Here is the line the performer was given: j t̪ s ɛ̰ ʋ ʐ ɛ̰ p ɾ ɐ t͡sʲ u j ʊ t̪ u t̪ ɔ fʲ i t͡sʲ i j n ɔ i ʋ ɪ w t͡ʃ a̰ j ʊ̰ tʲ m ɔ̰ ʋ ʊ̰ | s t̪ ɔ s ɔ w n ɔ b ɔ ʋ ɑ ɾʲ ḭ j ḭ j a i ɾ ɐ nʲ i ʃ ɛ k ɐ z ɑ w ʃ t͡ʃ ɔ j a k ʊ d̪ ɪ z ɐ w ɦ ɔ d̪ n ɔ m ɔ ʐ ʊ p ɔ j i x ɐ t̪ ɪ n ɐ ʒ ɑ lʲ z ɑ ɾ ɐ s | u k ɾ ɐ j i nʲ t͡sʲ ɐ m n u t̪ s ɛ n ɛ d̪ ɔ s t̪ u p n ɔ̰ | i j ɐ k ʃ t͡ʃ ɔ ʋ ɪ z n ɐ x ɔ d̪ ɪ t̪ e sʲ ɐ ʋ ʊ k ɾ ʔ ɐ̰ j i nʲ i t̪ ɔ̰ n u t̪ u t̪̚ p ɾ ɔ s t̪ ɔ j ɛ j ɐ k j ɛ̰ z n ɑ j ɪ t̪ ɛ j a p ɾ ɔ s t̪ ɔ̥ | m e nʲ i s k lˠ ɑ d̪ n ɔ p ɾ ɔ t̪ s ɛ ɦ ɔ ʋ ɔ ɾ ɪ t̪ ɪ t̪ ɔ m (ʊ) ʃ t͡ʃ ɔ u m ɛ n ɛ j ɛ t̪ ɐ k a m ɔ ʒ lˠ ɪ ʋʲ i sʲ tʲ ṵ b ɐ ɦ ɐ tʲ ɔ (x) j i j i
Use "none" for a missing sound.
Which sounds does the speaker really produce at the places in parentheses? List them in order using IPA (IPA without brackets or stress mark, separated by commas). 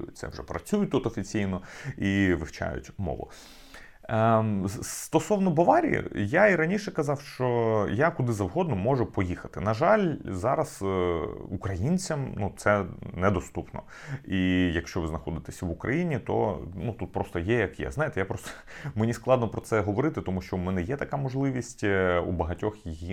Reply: u, x